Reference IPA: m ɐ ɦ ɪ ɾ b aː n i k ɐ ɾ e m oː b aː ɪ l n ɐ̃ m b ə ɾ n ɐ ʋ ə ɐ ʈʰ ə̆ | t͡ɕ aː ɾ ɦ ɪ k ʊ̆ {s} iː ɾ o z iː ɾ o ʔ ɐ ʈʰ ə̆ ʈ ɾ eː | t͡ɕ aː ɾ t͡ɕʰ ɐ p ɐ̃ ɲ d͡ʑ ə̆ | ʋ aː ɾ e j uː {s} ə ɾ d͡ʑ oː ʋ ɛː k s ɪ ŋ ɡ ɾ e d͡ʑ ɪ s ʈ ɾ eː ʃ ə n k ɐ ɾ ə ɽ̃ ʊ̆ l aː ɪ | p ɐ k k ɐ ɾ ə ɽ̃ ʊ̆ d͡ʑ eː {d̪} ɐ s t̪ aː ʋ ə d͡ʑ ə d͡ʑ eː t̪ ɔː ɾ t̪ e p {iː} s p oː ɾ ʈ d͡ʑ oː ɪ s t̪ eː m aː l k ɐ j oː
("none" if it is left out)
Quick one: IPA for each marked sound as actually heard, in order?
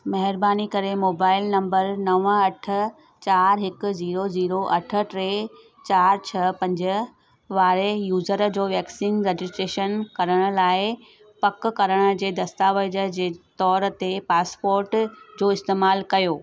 z, z, d̪, aː

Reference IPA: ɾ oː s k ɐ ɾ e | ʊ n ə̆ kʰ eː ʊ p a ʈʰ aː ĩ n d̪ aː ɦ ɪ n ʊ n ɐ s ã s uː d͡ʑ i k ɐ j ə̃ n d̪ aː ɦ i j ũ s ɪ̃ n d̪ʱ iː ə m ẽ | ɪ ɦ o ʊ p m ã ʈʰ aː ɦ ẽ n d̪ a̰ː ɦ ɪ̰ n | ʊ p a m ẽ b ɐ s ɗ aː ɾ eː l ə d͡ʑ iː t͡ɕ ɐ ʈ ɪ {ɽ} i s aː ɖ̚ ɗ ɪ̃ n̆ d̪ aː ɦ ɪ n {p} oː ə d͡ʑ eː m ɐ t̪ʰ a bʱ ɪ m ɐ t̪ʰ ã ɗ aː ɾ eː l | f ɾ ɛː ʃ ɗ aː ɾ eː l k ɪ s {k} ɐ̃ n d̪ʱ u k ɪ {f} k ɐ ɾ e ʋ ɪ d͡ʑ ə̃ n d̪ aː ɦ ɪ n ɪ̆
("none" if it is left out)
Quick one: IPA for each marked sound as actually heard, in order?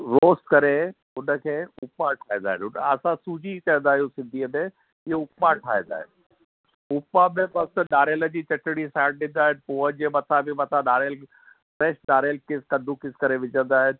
ɽ, p, k, s

